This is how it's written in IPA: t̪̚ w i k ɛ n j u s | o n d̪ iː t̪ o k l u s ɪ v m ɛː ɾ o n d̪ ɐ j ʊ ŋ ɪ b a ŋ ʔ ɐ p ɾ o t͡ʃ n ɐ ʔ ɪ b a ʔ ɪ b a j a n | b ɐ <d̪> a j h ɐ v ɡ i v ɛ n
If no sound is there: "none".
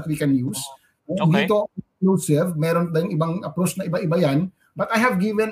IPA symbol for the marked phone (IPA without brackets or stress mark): t̪